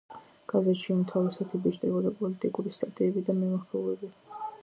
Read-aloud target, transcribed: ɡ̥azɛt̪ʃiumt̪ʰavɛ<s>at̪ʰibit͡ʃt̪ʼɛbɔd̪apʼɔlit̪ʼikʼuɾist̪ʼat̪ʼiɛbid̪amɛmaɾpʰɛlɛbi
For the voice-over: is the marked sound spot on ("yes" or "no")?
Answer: yes